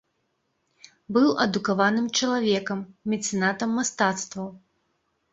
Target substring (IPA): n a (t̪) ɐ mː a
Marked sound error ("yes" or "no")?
no